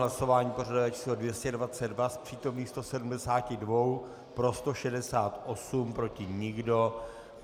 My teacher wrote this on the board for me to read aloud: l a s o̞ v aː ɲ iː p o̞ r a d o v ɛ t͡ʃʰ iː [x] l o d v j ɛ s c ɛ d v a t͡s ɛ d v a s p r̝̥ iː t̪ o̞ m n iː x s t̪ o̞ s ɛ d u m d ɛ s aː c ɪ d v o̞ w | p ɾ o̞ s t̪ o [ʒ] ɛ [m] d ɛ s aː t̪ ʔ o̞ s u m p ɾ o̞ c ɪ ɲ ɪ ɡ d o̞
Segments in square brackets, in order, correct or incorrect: incorrect: s, incorrect: ʃ, incorrect: none

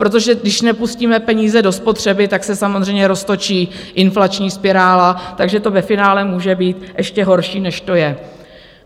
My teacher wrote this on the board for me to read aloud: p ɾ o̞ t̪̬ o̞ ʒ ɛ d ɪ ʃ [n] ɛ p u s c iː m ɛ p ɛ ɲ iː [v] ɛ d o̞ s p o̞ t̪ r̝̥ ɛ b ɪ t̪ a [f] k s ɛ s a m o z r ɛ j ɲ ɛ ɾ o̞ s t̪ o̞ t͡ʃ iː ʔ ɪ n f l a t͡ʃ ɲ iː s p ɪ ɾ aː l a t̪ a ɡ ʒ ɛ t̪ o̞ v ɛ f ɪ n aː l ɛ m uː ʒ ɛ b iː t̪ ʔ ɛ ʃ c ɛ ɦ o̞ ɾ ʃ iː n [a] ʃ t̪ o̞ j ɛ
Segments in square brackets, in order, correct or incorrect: correct, incorrect: z, incorrect: none, incorrect: ɛ

